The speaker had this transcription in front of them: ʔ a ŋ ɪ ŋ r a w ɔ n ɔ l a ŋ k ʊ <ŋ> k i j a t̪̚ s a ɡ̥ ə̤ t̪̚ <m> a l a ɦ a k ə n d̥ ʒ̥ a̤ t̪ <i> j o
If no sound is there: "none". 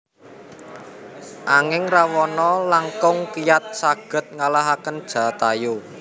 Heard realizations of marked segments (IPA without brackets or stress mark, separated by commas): ŋ, ŋ, a